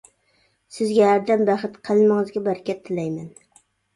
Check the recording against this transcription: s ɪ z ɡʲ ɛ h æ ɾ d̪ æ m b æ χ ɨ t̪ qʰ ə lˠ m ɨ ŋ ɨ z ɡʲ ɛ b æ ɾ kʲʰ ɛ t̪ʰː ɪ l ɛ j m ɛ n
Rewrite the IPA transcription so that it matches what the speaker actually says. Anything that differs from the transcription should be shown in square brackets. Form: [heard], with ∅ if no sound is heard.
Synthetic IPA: s ɪ z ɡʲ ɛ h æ ɾ d̪ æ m b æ χ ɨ t̪ qʰ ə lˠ m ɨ ŋ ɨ z ɡʲ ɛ b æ ɾ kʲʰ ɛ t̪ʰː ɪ l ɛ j m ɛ n